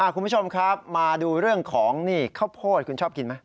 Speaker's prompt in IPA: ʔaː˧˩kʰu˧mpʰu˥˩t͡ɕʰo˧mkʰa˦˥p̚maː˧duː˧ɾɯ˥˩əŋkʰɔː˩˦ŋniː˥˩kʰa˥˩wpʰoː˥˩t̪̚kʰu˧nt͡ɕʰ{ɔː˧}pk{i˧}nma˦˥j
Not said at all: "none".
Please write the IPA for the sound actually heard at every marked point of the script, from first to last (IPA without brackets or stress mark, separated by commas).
ɔː˥˩, i˧